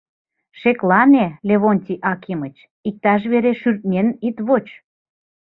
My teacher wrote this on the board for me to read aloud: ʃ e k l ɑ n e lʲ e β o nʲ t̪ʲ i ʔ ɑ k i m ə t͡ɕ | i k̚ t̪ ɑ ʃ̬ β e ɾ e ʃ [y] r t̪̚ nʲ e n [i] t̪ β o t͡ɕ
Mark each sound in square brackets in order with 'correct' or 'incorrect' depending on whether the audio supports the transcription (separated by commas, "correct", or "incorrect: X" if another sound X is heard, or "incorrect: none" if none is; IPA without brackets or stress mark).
correct, correct